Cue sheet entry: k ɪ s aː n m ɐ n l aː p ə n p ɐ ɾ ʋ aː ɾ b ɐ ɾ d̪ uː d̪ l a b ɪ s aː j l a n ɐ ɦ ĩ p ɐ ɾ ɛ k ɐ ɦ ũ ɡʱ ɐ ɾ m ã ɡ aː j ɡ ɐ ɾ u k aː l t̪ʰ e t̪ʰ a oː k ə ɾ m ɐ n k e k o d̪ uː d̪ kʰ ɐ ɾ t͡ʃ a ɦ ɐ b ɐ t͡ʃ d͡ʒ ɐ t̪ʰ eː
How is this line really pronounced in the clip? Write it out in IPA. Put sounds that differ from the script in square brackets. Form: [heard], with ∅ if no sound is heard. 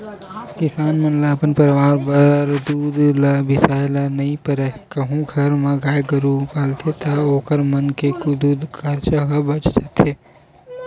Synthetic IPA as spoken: k ɪ s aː n m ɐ n l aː p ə n p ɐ ɾ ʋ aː ɾ b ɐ ɾ d̪ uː d̪ l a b ɪ s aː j l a n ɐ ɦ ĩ p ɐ ɾ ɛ k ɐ ɦ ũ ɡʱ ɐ ɾ m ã ɡ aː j ɡ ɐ ɾ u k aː l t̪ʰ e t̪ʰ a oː k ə ɾ m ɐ n k e k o d̪ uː d̪ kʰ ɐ ɾ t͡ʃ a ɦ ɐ b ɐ t͡ʃ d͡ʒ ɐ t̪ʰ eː